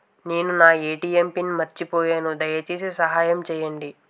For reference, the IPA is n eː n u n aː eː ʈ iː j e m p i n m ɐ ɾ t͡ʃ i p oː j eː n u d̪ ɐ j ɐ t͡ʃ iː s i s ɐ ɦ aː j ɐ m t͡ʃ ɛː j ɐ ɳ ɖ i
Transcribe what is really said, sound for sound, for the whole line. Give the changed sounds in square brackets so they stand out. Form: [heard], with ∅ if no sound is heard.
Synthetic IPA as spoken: n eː n u n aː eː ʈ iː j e m p i n m ɐ ɾ t͡ʃ i p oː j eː n u d̪ ɐ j ɐ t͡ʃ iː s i s ɐ ɦ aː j ɐ m t͡ʃ ɛː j ɐ ɳ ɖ i